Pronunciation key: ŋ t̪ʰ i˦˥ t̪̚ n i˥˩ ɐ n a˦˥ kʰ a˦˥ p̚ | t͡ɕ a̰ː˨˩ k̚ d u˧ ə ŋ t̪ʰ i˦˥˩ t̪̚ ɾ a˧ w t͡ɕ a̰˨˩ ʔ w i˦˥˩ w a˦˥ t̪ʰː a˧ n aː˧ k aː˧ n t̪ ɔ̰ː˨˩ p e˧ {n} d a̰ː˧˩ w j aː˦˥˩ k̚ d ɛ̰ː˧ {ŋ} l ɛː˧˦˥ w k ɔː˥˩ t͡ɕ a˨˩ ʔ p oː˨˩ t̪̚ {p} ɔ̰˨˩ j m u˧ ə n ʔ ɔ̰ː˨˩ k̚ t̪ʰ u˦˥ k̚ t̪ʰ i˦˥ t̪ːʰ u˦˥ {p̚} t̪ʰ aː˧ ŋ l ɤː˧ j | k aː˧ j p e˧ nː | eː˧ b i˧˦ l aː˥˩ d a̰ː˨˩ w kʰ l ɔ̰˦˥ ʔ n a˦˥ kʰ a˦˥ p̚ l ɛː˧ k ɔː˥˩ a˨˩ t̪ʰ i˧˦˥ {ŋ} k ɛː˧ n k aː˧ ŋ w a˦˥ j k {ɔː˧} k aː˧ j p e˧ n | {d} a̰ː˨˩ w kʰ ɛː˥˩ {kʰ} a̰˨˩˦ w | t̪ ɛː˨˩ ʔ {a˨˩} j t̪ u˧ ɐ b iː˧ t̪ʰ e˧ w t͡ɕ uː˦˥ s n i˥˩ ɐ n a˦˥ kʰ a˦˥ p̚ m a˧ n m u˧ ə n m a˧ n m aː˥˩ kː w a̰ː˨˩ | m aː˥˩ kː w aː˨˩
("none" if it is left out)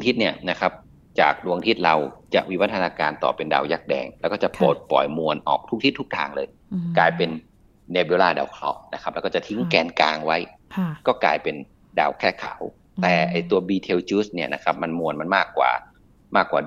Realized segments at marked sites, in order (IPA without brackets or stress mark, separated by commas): n, ŋ, p, k̚, ŋ, ɔː˥˩, d, kʰ, a˨˩